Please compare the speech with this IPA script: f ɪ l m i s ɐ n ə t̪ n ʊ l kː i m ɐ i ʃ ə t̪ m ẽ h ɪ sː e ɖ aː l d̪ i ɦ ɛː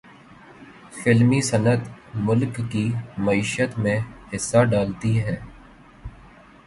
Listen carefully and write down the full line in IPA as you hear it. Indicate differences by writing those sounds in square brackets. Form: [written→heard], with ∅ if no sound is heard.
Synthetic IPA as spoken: f ɪ l m i s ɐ n ə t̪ [n→m] ʊ l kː i m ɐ [i→iː] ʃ ə t̪ m ẽ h ɪ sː [e→a] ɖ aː l [d̪→t̪] i ɦ ɛː